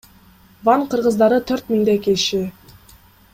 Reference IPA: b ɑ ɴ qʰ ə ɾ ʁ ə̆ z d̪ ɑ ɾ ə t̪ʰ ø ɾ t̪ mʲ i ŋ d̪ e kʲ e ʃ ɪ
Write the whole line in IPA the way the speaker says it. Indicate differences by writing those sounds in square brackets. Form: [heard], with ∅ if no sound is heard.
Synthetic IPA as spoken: [v] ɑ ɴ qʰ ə ɾ ʁ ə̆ z d̪ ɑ ɾ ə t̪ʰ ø ɾ t̪ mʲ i ŋ d̪ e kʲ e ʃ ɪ

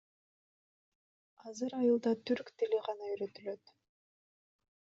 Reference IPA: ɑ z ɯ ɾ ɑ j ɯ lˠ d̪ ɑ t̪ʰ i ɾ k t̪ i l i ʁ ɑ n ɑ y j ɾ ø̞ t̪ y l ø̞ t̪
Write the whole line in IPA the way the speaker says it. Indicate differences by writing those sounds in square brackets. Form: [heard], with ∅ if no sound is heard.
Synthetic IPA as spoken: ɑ z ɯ ɾ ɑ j ɯ lˠ d̪ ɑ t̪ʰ [y] ɾ k t̪ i l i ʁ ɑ n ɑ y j ɾ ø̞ t̪ y l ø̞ t̪

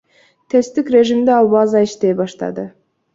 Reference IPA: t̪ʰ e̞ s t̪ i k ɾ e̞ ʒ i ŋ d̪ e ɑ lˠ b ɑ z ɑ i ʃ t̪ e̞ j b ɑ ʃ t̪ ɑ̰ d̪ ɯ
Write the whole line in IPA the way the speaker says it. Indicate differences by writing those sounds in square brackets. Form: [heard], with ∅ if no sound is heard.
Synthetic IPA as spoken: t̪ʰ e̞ s t̪ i k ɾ e̞ ʒ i [m] d̪ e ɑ lˠ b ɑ z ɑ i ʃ t̪ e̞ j b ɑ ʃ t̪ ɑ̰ d̪ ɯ

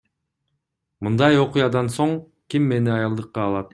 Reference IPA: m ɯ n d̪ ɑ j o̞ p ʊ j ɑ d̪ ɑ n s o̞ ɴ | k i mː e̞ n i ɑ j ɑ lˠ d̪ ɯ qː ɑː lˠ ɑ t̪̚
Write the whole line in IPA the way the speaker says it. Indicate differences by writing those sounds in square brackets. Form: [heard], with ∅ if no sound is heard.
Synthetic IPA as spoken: m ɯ n d̪ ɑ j o̞ [q] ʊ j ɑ d̪ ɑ n s o̞ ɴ | k i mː e̞ n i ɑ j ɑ lˠ d̪ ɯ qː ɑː lˠ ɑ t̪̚

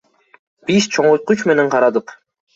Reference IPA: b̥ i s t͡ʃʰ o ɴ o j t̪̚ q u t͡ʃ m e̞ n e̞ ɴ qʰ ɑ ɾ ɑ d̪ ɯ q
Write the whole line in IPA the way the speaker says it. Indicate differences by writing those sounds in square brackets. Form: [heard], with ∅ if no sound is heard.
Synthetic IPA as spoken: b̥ i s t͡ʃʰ o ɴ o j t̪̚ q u t͡ʃ m e̞ n e̞ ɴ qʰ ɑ ɾ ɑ d̪ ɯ q

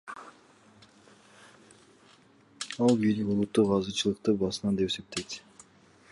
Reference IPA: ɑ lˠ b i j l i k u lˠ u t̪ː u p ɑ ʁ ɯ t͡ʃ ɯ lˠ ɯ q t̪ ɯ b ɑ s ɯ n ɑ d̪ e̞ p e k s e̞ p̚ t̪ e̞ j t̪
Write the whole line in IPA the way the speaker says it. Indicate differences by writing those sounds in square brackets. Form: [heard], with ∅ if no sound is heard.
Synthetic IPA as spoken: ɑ lˠ b i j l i k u lˠ u t̪ː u [q] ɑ [z] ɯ t͡ʃ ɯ lˠ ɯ q t̪ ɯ b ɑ s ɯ n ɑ d̪ e̞ p e [∅] s e̞ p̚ t̪ e̞ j t̪

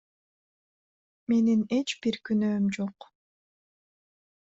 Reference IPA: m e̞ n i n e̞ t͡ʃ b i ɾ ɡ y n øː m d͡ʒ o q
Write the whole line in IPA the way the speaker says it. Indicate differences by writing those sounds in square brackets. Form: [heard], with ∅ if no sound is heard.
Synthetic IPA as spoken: m e̞ n i n e̞ t͡ʃ b i ɾ [k] y n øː m d͡ʒ o q

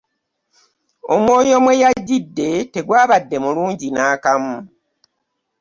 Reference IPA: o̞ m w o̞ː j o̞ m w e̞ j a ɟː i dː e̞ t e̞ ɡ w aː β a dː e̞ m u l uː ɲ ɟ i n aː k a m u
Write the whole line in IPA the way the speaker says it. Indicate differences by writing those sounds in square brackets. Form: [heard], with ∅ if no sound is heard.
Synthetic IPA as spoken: o̞ m w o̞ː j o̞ m w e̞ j a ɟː i dː e̞ t e̞ ɡ w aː β a dː e̞ m u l uː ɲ ɟ i n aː k a m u

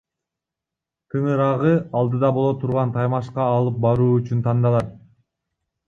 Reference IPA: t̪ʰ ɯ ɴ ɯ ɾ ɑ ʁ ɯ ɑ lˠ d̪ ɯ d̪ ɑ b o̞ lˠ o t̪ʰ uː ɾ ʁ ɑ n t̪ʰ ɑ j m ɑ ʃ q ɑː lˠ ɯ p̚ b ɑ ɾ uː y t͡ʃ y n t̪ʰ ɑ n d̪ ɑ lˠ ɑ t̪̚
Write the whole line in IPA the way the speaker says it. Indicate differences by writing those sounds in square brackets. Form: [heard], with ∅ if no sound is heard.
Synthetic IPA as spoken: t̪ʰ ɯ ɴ ɯ ɾ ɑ ʁ ɯ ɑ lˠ d̪ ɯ d̪ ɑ b o̞ lˠ o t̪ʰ [u] ɾ ʁ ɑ n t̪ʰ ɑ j m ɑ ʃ q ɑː lˠ ɯ p̚ b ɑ ɾ uː y t͡ʃ y n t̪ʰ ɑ n d̪ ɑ lˠ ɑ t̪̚

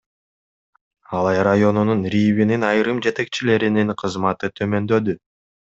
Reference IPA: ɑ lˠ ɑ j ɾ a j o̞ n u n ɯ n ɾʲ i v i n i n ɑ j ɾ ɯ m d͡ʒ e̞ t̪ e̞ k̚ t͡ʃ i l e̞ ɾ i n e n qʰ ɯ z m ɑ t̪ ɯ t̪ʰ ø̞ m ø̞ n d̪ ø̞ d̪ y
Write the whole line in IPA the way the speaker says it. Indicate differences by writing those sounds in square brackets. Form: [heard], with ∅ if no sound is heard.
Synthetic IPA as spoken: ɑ lˠ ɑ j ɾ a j o̞ n u n [u] n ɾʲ i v i n i n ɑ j ɾ ɯ m d͡ʒ e̞ t̪ e̞ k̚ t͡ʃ i l e̞ ɾ i n [i] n qʰ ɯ z m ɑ t̪ ɯ t̪ʰ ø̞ m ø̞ n d̪ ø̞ d̪ y

